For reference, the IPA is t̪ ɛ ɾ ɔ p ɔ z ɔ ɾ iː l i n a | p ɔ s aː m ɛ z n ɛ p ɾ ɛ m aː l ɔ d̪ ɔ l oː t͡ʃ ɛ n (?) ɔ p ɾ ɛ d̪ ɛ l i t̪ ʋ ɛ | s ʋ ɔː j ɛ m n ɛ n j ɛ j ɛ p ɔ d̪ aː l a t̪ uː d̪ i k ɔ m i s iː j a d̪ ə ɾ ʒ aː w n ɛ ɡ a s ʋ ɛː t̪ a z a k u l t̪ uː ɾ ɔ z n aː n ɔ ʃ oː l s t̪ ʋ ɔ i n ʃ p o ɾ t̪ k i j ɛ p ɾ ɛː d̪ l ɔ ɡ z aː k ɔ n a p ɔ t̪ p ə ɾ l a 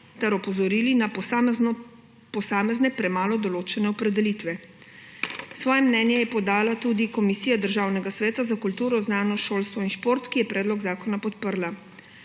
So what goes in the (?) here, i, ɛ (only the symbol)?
ɛ